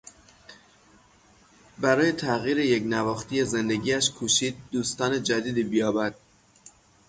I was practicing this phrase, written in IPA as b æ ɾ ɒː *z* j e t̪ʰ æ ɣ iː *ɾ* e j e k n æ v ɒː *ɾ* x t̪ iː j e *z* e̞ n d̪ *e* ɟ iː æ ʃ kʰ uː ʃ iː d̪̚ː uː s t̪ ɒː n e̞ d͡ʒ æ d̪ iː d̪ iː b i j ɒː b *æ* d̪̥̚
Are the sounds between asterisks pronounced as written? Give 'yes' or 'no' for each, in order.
no, yes, no, yes, yes, yes

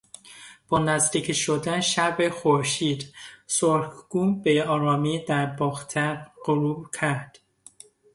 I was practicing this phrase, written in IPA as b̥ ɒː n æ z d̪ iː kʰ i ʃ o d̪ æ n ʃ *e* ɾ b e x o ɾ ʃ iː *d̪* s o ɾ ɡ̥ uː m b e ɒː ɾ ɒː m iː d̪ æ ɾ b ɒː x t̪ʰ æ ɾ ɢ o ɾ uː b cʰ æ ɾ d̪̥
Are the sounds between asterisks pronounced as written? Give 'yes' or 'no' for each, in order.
no, yes

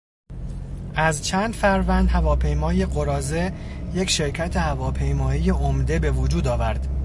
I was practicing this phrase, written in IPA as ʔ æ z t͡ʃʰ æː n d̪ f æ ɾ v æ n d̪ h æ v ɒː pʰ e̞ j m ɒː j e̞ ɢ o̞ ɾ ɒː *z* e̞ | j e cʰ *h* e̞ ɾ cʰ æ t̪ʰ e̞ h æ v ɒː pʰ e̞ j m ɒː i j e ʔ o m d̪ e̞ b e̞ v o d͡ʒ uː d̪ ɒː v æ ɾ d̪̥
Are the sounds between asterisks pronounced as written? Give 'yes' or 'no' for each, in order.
yes, no

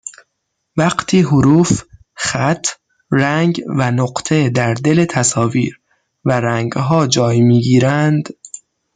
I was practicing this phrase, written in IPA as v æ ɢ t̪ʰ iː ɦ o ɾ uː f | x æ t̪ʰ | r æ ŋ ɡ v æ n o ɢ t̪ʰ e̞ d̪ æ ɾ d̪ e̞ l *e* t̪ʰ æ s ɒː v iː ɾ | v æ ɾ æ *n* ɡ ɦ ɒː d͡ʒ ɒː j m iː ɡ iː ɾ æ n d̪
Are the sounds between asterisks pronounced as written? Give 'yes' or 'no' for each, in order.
yes, no

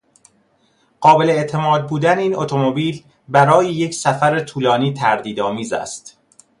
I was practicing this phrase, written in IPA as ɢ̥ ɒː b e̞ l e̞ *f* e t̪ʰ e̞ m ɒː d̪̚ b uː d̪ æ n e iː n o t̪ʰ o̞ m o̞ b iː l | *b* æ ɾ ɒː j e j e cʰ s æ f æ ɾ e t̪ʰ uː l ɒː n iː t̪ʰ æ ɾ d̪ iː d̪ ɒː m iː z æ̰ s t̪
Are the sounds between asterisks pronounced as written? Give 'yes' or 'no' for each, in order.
no, yes

